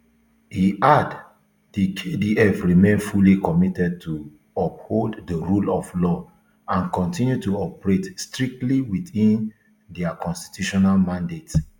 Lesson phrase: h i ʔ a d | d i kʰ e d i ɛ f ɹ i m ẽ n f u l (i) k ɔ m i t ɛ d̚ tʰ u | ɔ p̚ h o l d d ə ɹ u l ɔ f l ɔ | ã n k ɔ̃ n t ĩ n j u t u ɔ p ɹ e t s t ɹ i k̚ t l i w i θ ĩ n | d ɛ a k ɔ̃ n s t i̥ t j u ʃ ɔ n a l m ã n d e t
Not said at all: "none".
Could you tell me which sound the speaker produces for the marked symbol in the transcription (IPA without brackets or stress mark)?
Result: i